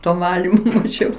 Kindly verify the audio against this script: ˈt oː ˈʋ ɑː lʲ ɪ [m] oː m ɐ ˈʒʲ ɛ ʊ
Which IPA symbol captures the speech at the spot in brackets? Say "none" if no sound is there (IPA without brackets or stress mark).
m